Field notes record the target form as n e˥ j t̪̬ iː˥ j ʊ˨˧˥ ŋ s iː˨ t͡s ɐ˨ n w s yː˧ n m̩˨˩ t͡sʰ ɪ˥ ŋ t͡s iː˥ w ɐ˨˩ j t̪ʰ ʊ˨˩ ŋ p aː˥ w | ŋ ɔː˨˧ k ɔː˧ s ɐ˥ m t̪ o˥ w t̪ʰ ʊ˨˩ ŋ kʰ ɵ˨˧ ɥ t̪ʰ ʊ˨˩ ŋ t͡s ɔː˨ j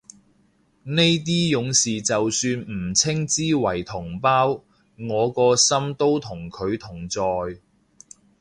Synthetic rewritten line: n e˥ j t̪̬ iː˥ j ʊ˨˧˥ ŋ s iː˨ t͡s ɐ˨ w s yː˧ n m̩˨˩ t͡sʰ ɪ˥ ŋ t͡s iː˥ w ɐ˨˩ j t̪ʰ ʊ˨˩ ŋ p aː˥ w | ŋ ɔː˨˧ k ɔː˧ s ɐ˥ m t̪ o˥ w t̪ʰ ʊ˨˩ ŋ kʰ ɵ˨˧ ɥ t̪ʰ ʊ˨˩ ŋ t͡s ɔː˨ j